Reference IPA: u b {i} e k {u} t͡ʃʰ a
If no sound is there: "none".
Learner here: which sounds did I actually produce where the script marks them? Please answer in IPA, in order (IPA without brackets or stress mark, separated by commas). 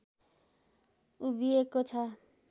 i, o